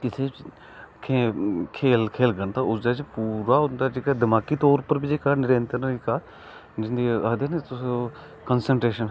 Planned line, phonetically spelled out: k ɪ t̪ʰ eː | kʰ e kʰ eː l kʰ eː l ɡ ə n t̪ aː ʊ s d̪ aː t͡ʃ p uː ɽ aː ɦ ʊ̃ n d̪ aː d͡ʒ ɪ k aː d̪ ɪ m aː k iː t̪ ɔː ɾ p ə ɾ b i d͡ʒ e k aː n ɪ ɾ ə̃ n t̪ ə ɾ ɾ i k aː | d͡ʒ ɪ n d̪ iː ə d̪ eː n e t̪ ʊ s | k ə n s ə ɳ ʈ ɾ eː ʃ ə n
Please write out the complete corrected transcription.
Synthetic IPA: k ɪ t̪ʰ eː | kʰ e kʰ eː l kʰ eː l ɡ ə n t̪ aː ʊ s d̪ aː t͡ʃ p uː ɾ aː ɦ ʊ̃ n d̪ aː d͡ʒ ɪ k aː d̪ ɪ m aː k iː t̪ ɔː ɾ p ə ɾ b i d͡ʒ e k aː n ɪ ɾ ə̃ n t̪ ə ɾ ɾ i k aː | d͡ʒ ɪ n d̪ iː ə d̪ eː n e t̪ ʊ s | k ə n s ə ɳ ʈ ɾ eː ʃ ə n